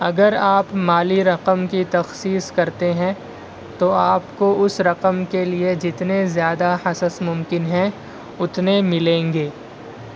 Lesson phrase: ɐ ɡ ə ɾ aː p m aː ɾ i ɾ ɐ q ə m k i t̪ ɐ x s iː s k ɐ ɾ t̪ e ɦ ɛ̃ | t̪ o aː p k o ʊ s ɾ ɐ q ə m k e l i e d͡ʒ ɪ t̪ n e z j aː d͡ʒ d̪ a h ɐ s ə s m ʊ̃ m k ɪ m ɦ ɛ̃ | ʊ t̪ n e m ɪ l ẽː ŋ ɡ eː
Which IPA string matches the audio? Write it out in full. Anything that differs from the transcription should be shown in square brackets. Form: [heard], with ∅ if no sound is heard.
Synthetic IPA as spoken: ɐ ɡ ə ɾ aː p m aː [l] i ɾ ɐ q ə m k i t̪ ɐ x s iː s k ɐ ɾ t̪ e ɦ ɛ̃ | t̪ o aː p k o ʊ s ɾ ɐ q ə m k e l i e d͡ʒ ɪ t̪ n e z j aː [∅] d̪ a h ɐ s ə s m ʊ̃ m k ɪ [n] ɦ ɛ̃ | ʊ t̪ n e m ɪ l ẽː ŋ ɡ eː